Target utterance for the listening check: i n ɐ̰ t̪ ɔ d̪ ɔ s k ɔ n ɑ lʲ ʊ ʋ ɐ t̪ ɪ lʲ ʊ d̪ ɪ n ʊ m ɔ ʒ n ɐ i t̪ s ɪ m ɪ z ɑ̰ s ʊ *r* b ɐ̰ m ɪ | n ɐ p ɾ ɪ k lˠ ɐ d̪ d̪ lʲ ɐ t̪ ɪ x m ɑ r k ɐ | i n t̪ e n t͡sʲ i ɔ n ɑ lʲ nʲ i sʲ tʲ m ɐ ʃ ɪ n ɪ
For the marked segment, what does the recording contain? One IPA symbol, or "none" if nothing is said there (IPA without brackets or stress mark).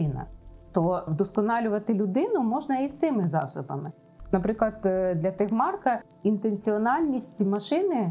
none